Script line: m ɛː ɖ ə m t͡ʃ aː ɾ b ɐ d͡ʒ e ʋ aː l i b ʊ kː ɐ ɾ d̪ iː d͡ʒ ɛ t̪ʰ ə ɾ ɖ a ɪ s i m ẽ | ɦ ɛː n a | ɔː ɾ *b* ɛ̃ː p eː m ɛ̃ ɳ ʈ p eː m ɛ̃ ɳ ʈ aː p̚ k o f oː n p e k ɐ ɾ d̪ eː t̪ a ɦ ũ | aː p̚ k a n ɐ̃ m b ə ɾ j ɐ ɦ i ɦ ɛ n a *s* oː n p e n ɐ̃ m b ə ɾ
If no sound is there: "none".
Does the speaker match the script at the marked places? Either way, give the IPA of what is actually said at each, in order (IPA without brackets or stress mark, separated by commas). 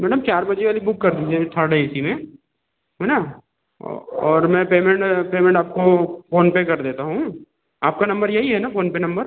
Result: m, f